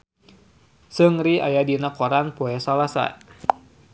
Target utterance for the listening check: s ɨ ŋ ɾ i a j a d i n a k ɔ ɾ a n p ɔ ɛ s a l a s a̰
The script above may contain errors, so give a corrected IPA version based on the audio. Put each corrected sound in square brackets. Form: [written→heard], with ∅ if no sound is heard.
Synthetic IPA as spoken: s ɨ ŋ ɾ i a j a d i n a k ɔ ɾ a n p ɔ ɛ s a l a s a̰